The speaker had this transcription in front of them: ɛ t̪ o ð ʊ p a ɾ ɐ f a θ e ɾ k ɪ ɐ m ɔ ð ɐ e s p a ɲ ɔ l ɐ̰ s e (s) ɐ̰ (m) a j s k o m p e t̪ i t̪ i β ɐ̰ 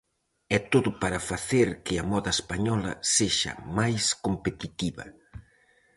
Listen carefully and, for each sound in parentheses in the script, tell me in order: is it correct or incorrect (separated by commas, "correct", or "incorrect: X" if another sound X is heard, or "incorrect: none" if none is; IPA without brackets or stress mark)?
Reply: incorrect: ʃ, correct